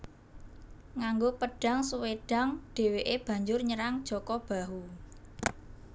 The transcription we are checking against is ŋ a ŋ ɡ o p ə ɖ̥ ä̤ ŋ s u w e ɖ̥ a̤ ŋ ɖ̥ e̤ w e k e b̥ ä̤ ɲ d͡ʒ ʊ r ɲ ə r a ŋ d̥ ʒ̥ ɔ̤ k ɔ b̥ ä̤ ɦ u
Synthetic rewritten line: ŋ a ŋ ɡ o p ə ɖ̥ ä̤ ŋ s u w e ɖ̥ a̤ ŋ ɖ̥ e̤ w e ʔ e b̥ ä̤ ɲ d͡ʒ ʊ r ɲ ə ɾ a ŋ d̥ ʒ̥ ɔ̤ k ɔ b̥ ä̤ ɦ u